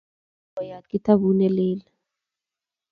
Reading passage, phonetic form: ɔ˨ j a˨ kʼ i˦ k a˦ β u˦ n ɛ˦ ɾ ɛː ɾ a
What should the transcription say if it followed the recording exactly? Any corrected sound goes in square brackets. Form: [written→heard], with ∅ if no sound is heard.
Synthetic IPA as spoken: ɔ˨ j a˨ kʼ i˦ [k→t] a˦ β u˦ n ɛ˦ [ɾ→l] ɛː [ɾ→l] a